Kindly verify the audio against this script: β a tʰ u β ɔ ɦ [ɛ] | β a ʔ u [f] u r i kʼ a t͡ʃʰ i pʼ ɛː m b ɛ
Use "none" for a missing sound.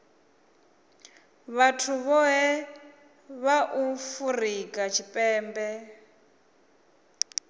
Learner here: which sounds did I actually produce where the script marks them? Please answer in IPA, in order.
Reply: ɛ, f

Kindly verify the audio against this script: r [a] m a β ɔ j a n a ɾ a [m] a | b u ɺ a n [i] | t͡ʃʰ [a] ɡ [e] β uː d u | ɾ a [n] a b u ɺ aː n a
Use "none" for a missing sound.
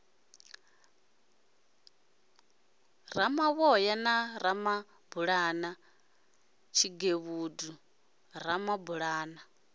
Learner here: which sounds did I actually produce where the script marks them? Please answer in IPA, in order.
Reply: a, m, a, i, e, m

